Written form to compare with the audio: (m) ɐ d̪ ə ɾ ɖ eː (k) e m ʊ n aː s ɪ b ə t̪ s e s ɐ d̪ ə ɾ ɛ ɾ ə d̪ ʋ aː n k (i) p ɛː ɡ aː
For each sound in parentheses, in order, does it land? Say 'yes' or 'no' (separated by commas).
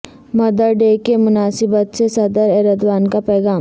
yes, yes, no